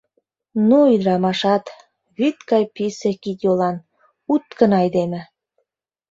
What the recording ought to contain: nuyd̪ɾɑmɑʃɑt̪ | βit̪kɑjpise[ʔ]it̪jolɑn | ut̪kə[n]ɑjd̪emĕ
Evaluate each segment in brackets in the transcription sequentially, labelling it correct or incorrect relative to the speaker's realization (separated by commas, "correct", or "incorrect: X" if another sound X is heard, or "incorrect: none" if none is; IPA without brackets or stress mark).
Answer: incorrect: k, correct